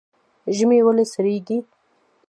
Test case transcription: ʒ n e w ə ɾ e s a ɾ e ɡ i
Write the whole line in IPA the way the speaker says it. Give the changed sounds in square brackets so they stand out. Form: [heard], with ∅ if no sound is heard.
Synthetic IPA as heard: ʒ [m] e w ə [l] e s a ɾ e ɡ i